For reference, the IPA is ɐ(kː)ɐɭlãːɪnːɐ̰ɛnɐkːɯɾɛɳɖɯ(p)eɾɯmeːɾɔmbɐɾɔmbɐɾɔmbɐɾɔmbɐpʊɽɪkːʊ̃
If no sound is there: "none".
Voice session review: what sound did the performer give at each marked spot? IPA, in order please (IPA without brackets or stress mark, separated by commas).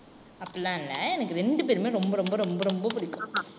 pː, p